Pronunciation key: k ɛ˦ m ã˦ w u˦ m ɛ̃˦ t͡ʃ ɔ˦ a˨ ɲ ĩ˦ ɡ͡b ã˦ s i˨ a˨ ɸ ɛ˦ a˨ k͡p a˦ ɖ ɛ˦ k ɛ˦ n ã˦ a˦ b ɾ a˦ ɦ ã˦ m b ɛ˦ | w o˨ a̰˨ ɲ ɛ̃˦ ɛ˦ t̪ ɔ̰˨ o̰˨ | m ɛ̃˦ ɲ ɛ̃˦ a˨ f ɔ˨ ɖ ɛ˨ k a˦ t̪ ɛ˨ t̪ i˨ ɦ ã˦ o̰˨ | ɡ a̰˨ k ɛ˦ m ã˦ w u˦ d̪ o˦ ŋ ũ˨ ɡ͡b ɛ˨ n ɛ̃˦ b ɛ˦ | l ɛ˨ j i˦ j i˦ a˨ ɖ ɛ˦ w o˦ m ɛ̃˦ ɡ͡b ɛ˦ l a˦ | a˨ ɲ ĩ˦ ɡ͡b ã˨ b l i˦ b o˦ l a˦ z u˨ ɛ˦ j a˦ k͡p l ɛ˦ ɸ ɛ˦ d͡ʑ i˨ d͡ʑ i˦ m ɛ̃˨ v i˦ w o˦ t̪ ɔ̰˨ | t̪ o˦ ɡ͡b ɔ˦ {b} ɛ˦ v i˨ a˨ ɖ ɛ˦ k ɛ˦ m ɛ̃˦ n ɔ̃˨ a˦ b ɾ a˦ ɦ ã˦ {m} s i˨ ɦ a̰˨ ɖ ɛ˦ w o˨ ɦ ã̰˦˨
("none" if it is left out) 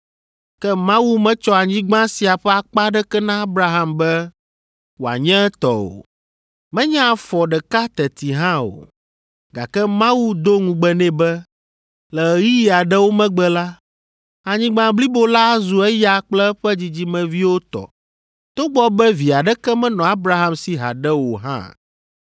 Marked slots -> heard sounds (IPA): b, m

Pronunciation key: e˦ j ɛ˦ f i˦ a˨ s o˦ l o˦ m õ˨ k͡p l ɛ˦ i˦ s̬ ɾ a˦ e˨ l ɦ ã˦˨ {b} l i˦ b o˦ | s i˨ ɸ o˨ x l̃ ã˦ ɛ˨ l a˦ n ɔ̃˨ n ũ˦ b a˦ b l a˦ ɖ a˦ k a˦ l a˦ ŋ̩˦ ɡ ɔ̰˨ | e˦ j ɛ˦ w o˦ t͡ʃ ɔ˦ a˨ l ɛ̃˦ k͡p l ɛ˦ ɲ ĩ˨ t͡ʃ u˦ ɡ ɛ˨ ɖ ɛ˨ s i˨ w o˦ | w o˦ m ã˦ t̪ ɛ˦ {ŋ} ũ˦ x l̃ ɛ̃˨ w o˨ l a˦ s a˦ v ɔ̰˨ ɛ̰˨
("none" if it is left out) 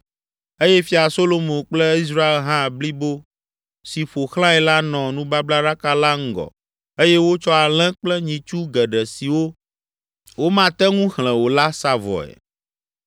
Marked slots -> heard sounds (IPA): b, ŋ

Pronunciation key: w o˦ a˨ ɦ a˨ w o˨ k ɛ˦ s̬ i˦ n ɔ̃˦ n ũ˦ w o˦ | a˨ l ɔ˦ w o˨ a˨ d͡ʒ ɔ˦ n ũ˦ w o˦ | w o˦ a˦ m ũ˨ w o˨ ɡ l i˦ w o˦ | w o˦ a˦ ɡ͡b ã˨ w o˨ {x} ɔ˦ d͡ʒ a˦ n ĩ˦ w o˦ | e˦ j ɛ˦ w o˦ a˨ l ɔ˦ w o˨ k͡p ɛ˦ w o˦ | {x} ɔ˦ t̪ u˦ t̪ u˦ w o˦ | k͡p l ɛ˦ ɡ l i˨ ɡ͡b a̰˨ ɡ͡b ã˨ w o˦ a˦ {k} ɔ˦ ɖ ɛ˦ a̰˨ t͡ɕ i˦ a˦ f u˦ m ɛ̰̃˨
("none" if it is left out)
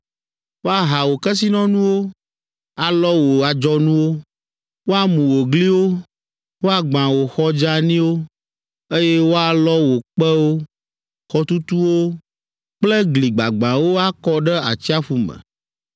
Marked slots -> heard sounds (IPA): x, x, k

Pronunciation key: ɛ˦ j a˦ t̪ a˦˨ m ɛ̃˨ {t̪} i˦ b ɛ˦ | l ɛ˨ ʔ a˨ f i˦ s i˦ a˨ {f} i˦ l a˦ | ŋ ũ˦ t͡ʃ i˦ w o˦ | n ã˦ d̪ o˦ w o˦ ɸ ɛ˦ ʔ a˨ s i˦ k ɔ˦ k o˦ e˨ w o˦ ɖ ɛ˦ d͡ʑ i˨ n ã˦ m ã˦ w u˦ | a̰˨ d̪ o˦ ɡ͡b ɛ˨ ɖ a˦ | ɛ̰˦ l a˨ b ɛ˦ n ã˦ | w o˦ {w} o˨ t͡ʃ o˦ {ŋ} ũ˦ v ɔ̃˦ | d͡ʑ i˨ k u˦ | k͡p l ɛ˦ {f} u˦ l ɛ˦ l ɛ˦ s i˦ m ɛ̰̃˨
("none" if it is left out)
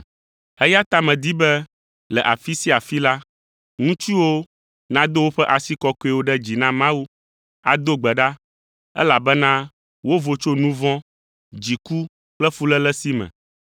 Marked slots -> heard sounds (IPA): d̪, f, v, n, f

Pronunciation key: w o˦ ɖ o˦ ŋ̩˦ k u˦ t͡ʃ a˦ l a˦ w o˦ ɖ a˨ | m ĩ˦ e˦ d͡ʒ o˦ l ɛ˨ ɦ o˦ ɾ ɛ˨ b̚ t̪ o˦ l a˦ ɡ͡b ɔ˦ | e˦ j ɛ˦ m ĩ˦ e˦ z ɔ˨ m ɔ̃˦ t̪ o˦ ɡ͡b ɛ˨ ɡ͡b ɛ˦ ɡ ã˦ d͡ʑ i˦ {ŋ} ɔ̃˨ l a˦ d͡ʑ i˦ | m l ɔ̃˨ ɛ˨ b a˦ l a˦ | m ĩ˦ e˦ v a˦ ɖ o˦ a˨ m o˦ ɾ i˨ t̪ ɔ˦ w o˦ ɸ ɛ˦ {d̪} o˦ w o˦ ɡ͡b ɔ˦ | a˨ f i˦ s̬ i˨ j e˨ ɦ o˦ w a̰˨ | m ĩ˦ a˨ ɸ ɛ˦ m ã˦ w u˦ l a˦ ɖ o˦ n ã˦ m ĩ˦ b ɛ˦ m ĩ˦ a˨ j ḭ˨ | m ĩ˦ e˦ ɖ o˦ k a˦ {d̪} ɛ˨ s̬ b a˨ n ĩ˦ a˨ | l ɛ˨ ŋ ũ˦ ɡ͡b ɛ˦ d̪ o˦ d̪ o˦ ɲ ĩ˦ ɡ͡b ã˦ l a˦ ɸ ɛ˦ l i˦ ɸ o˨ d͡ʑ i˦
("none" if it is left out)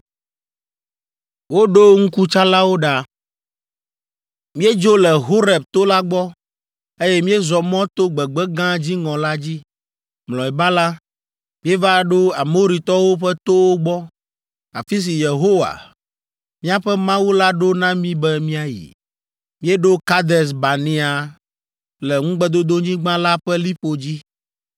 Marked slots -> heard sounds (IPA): ŋ, t̪, d̪

